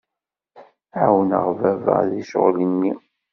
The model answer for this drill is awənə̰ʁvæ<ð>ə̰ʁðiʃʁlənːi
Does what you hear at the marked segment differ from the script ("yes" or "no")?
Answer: yes